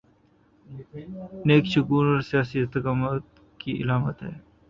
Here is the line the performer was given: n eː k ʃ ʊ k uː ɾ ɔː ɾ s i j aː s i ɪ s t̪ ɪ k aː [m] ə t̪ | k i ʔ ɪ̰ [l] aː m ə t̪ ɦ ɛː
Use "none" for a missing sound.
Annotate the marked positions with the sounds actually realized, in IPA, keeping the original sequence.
m, l

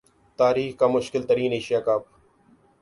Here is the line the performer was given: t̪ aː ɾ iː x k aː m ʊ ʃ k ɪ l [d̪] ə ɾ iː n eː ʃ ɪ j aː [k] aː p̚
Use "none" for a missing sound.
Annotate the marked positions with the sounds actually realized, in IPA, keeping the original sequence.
t̪, k

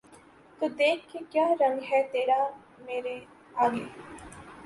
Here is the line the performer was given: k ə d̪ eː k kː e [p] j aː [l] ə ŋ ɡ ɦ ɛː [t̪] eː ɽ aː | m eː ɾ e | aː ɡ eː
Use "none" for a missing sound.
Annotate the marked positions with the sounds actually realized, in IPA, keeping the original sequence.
k, ɾ, t̪

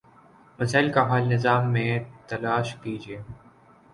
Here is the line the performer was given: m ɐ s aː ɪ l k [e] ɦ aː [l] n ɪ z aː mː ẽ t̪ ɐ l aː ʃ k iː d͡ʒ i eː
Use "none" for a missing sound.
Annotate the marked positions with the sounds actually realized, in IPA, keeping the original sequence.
a, l

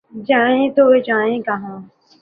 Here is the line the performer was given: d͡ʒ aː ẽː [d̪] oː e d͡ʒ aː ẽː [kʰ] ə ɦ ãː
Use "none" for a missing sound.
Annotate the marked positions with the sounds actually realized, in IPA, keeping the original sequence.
t̪, k

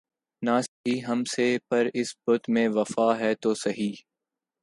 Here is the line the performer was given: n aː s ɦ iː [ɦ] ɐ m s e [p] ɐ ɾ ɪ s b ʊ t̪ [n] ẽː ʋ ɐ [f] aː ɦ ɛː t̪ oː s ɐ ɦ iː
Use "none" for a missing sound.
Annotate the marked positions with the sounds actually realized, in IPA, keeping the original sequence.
ɦ, p, m, f

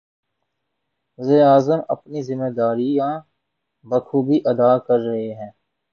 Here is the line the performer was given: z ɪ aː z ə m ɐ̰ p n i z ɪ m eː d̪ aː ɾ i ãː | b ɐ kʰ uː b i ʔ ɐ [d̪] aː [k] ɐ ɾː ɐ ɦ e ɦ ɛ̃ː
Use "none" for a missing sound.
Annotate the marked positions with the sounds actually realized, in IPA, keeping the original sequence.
d̪, k

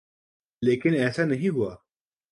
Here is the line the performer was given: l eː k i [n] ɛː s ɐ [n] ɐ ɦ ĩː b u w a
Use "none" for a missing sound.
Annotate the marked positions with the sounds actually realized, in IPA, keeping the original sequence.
n, n

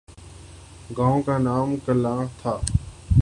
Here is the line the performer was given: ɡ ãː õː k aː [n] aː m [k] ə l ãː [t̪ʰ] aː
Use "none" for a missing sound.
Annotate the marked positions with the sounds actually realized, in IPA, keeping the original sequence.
n, k, t̪ʰ

